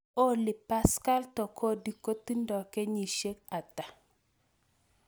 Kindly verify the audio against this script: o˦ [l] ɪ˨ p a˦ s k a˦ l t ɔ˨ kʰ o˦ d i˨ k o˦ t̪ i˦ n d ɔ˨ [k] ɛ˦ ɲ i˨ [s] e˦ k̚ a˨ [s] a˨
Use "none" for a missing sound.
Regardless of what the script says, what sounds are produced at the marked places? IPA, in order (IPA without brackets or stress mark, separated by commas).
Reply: l, k, ʃ, t